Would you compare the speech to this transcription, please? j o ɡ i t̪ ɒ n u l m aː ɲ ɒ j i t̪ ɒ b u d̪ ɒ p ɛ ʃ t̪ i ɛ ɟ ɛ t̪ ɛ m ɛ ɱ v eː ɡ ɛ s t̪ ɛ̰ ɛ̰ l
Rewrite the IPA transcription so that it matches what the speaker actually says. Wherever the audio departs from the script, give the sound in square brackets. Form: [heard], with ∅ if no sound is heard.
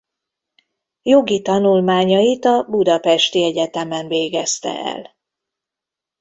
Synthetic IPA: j o ɡ i t̪ ɒ n u l m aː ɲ ɒ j i t̪ ɒ b u d̪ ɒ p ɛ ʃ t̪ i ɛ ɟ ɛ t̪ ɛ m ɛ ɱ v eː ɡ ɛ s t̪ ɛ̰ ɛ̰ l